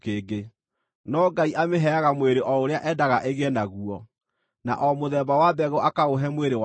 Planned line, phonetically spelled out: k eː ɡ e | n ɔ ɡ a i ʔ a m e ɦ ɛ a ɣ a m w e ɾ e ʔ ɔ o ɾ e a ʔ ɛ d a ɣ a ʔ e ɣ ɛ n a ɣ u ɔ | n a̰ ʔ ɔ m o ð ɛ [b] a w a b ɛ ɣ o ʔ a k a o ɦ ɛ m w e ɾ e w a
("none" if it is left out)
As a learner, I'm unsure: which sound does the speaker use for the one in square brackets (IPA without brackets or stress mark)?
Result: b